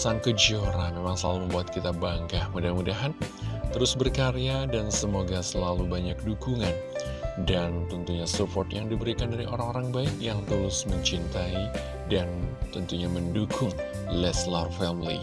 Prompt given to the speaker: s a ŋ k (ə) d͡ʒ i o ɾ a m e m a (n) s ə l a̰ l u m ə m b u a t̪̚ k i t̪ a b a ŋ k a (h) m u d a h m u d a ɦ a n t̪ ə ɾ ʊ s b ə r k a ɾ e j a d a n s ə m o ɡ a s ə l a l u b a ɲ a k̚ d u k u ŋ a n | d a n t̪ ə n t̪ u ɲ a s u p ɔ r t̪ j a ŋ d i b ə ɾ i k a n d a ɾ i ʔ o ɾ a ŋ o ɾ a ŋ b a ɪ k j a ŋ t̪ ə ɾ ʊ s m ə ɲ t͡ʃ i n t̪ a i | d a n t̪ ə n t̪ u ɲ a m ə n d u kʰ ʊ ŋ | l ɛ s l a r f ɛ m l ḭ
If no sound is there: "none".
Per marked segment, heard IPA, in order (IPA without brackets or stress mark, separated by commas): ə, ŋ, h